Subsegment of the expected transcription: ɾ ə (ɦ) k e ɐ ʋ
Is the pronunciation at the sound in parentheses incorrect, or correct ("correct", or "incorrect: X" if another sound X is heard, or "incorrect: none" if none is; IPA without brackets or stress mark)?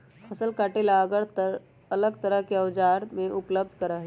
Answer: correct